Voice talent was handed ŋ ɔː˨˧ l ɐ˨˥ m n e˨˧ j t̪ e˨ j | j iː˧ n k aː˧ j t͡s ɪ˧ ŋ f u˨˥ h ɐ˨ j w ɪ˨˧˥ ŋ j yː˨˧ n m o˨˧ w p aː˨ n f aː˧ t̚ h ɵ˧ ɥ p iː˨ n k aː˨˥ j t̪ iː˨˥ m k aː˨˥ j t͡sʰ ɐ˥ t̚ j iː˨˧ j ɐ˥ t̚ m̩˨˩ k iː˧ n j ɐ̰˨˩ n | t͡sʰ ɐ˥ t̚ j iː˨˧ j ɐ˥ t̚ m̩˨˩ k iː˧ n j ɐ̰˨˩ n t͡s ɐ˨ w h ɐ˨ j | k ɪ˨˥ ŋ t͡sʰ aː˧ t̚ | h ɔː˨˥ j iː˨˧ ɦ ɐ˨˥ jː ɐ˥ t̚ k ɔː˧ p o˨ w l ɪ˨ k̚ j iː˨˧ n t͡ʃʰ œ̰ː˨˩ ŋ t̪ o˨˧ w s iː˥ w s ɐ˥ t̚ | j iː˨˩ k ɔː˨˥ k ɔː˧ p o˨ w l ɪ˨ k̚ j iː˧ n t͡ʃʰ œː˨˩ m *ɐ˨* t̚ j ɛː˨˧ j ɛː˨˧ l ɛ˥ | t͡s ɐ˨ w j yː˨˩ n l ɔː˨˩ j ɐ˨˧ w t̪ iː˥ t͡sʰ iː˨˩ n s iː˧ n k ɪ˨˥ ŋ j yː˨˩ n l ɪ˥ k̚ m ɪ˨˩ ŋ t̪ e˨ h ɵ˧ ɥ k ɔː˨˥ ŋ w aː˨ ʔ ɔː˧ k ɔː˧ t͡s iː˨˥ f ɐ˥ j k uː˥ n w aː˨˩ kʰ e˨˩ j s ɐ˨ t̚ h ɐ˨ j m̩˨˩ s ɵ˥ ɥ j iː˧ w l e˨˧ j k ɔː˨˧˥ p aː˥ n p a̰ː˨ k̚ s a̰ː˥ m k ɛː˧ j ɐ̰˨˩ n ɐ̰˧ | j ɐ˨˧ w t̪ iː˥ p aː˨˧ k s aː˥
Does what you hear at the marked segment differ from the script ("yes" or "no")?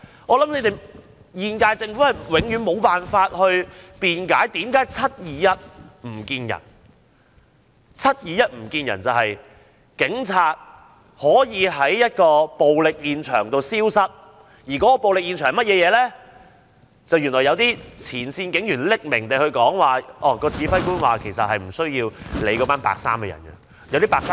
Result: yes